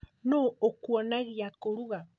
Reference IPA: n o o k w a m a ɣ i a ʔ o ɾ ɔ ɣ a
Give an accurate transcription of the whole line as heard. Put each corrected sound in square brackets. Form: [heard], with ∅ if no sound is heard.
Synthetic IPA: n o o k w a [n] a ɣ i a [k] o ɾ [u] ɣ a